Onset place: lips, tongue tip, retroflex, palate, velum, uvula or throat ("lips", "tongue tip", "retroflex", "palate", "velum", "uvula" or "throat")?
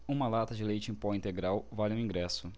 lips